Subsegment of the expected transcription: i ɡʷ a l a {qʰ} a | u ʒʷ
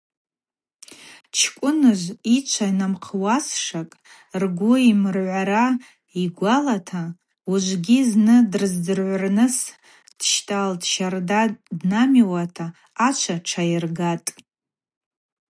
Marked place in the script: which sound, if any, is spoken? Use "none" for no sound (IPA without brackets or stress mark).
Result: tʰ